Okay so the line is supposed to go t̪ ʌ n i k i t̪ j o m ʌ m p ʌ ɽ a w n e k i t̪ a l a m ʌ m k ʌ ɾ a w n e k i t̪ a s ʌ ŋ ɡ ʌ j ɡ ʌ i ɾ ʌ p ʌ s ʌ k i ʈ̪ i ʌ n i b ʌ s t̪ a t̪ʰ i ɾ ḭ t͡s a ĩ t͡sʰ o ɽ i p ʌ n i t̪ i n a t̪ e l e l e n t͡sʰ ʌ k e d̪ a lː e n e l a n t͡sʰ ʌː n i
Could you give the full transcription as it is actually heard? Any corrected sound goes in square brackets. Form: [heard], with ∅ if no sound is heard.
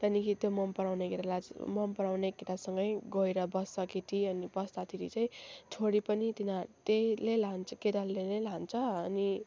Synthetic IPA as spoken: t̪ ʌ n i k i t̪ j o m ʌ m p ʌ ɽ a w n e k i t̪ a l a m ʌ m [p] ʌ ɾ a w n e k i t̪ a s ʌ ŋ ɡ ʌ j ɡ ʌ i ɾ ʌ [b] ʌ s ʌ k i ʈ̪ i ʌ n i b ʌ s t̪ a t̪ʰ i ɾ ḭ t͡s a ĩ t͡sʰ o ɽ i p ʌ n i t̪ i n a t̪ e l e l [a] n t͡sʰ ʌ k e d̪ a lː e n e l a n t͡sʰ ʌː n i